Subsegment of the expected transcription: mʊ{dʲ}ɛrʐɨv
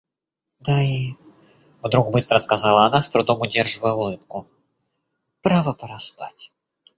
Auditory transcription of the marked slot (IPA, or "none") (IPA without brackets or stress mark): dʲ